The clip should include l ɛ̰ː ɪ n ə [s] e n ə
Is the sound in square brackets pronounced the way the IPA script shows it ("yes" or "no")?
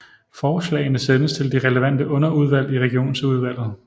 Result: yes